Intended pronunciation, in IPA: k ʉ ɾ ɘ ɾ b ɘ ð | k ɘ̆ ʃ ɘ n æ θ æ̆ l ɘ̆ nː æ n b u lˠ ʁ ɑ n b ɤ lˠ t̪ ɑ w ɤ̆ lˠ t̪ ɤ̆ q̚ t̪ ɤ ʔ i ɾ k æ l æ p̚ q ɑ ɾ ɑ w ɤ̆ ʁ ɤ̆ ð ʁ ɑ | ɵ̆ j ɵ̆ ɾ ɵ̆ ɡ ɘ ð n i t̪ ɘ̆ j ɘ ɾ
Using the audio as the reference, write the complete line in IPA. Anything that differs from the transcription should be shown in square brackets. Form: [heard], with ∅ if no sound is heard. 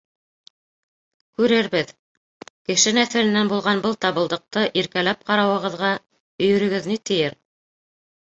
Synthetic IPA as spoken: k ʉ ɾ ɘ ɾ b ɘ ð | k ɘ̆ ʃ ɘ n æ θ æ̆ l ɘ̆ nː æ n b u lˠ ʁ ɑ n b ɤ lˠ t̪ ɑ [β] ɤ̆ lˠ [d̪] ɤ̆ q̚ t̪ ɤ ʔ i ɾ k æ l æ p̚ q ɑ ɾ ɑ w ɤ̆ ʁ ɤ̆ ð ʁ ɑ | ɵ̆ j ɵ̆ ɾ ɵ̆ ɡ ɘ ð n i t̪ ɘ̆ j ɘ ɾ